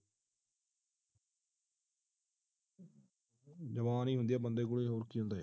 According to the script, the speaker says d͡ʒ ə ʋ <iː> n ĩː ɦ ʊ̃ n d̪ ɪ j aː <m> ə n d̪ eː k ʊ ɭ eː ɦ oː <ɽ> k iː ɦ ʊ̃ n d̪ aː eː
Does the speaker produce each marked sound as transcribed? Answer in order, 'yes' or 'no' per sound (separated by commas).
no, no, no